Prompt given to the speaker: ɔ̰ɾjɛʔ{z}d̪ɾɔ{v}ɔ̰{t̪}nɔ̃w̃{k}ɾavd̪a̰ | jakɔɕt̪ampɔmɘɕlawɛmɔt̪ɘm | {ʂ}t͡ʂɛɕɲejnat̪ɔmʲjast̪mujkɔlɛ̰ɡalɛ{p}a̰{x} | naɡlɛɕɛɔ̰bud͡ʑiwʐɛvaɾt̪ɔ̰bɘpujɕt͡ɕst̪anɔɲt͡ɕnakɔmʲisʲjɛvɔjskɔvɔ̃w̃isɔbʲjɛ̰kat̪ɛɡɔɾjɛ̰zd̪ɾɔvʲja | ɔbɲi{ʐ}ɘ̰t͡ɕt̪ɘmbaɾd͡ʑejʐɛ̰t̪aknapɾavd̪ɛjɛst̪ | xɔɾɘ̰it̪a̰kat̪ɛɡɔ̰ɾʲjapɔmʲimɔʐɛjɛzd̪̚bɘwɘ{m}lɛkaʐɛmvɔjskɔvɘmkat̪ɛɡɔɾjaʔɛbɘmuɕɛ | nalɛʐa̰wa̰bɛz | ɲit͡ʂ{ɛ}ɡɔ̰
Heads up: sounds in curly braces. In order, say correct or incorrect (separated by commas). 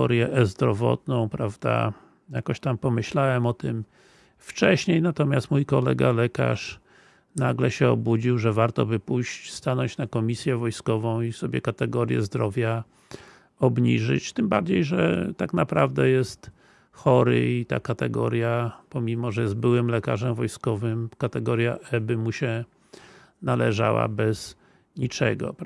correct, correct, correct, incorrect, incorrect, incorrect, incorrect, correct, correct, correct